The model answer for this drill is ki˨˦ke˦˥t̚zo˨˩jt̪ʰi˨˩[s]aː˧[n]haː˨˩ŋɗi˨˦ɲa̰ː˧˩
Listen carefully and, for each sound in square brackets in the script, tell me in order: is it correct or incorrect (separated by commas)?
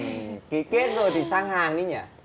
correct, incorrect